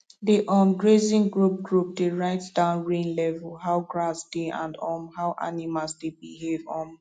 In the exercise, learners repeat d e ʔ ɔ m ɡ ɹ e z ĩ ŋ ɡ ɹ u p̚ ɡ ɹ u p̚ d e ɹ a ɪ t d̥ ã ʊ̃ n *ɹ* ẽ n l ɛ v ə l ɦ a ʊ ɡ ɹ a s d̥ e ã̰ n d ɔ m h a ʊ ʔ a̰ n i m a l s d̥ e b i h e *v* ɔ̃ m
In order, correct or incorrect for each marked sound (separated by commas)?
correct, correct